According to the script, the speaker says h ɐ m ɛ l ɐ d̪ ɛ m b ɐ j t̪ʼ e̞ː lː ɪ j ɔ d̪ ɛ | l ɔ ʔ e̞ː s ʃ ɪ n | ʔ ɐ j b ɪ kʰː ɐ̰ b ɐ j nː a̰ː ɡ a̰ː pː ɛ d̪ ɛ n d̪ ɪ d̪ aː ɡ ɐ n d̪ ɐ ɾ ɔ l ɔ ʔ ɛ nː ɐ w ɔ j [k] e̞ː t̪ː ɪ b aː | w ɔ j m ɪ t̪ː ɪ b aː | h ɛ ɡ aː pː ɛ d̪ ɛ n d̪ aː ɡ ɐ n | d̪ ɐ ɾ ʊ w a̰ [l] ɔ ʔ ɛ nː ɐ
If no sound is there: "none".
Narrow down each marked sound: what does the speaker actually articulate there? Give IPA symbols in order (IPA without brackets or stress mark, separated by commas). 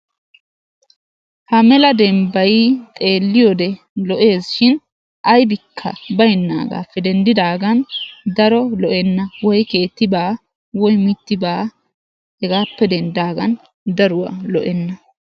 k, l